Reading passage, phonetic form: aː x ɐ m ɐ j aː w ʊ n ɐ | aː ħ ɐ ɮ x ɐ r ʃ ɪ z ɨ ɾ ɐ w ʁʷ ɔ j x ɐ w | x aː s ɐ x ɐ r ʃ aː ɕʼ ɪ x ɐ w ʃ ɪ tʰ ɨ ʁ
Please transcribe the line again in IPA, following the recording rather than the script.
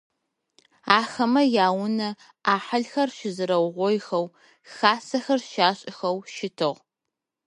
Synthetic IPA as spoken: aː x ɐ m ɐ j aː w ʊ n ɐ | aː ħ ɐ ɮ x ɐ r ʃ ɪ z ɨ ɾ ɐ w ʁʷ ɔ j x ɐ w | x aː s ɐ x ɐ r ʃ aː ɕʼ ɪ x ɐ w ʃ ɪ tʰ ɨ ʁ

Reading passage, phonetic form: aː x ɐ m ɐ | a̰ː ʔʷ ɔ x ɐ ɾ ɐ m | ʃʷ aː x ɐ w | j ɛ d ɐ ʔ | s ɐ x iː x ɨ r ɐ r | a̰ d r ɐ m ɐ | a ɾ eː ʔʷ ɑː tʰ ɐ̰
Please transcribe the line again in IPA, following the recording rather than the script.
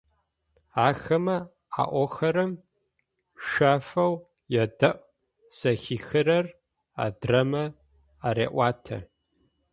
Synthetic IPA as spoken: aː x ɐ m ɐ | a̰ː ʔʷ ɔ x ɐ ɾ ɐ m | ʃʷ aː f ɐ w | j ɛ d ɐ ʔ | s ɐ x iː x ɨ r ɐ r | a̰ d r ɐ m ɐ | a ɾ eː ʔʷ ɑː tʰ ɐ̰

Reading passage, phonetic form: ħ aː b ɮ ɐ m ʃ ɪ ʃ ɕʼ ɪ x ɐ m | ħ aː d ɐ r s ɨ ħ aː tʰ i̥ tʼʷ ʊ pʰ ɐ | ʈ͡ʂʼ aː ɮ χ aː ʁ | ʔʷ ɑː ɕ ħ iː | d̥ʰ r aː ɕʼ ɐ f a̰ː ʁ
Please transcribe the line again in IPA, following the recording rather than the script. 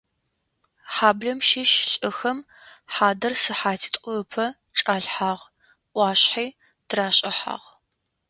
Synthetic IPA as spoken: ħ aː b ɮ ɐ m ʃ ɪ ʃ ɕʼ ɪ x ɐ m | ħ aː d ɐ r s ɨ ħ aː tʰ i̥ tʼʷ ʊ pʰ ɐ | ʈ͡ʂʼ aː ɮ ħ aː ʁ | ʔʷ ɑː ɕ ħ iː | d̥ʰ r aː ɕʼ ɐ ħ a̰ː ʁ

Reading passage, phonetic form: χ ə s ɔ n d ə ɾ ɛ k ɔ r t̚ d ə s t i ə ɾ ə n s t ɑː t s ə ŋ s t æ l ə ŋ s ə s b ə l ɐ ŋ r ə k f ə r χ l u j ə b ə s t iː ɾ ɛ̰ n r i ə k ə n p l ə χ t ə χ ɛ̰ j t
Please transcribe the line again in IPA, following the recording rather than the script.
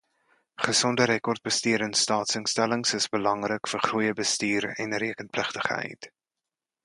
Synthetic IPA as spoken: χ ə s ɔ n d ə ɾ ɛ k ɔ r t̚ b ə s t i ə ɾ ə n s t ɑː t s ə ŋ s t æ l ə ŋ s ə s b ə l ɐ ŋ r ə k f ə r χ r u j ə b ə s t iː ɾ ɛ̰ n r i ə k ə n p l ə χ t ə χ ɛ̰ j t

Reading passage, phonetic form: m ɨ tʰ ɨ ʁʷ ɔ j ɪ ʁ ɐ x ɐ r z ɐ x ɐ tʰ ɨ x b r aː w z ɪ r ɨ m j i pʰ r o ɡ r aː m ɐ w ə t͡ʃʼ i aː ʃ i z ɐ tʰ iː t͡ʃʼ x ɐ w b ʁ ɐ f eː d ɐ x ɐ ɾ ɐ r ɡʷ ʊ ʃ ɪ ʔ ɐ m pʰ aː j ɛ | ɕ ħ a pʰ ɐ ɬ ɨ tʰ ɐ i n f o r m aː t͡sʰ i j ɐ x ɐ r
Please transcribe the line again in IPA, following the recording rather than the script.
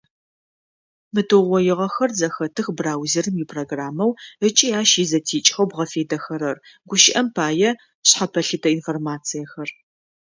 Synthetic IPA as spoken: m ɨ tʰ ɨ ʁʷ ɔ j ɪ ʁ ɐ x ɐ r z ɐ x ɐ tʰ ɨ x b r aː w z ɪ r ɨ m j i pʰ r o ɡ r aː m ɐ w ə t͡ʃʼ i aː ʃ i z ɐ tʰ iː t͡ʃʼ x ɐ w b ʁ ɐ f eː d ɐ x ɐ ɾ ɐ r ɡʷ ʊ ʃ ɪ ʔ ɐ m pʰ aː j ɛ | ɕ ħ a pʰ ɐ ɬ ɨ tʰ ɐ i n f o r m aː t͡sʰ i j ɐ x ɐ r

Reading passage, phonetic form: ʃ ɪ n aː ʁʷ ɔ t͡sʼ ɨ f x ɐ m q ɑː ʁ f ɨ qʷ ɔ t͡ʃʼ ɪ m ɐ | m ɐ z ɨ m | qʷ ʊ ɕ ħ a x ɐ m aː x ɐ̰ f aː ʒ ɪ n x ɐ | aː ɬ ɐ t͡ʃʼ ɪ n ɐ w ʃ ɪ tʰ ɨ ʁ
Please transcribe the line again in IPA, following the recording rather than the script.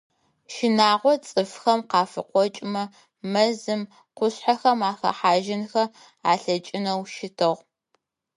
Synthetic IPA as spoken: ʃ ɪ n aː ʁʷ ɔ t͡sʼ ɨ f x ɐ m q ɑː f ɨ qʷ ɔ t͡ʃʼ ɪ m ɐ | m ɐ z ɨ m | qʷ ʊ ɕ ħ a x ɐ m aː x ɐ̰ ħ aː ʒ ɪ n x ɐ | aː ɬ ɐ t͡ʃʼ ɪ n ɐ w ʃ ɪ tʰ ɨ ʁ

